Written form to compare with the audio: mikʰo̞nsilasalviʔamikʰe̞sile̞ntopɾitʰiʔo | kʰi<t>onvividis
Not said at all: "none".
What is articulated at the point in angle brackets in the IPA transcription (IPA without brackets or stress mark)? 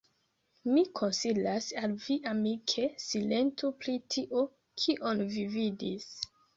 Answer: ʔ